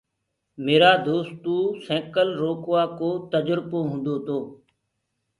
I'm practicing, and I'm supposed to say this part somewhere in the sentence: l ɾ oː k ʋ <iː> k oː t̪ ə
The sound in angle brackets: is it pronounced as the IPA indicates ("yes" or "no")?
no